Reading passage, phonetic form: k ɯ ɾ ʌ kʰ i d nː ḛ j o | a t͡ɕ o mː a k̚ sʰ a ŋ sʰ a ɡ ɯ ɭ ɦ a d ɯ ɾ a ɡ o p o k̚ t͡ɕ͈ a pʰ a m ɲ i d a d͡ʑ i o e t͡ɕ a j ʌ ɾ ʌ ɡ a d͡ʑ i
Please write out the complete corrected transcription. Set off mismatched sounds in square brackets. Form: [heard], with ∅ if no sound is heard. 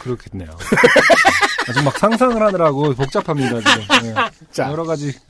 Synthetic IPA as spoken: k ɯ ɾ ʌ kʰ [e] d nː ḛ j o | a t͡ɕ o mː a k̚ sʰ a ŋ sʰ a [ŋ] ɯ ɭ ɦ a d ɯ ɾ a ɡ o p o k̚ t͡ɕ͈ a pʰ a m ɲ i d a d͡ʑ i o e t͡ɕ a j ʌ ɾ ʌ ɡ a d͡ʑ i